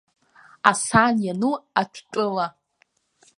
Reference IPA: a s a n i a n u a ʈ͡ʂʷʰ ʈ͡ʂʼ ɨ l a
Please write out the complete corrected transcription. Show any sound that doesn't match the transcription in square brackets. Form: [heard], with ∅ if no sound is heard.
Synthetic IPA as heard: a s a n [j] a n u a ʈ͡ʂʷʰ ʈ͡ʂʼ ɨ l a